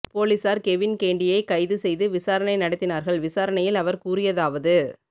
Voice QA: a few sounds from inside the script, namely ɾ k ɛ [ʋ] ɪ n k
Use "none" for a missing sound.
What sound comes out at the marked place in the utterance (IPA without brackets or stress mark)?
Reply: ʋ